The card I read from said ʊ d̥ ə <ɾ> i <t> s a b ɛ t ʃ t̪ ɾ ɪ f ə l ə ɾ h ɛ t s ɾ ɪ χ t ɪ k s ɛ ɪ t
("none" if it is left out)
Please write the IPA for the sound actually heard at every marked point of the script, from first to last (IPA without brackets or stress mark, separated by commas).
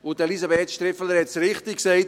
l, none